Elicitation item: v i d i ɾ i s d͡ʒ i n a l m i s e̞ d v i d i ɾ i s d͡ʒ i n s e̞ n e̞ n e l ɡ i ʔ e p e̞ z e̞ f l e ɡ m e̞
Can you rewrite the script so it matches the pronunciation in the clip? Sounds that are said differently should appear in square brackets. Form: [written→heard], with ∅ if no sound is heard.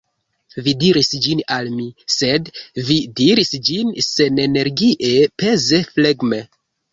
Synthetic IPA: v i d i ɾ i s d͡ʒ i n a l m i s e̞ d v i d i ɾ i s d͡ʒ i n s e̞ n e̞ n e [l→ɾ] ɡ i ʔ e p e̞ z e̞ f l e ɡ m e̞